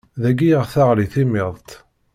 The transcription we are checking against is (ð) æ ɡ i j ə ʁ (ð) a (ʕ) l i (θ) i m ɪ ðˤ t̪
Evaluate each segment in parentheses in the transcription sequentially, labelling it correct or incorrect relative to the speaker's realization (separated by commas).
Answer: correct, incorrect, incorrect, correct